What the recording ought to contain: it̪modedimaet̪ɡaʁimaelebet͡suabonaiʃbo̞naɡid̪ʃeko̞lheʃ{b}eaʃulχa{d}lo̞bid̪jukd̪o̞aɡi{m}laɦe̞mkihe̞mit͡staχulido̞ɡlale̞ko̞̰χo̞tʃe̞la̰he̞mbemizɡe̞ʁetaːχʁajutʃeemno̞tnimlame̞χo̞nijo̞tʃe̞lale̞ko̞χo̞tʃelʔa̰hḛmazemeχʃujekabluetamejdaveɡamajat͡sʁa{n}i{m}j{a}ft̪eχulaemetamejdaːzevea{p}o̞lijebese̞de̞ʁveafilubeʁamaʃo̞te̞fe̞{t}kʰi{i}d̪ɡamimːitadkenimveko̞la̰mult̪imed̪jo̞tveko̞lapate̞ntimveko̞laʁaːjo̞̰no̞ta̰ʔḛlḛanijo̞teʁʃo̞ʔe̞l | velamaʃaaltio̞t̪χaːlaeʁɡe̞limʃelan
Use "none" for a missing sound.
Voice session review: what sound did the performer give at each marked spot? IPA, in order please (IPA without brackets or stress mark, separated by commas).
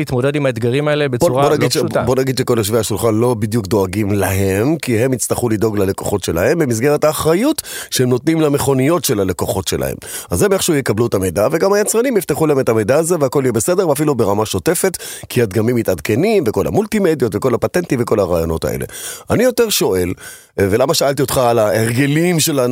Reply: v, n, m, n, m, i, k, t, a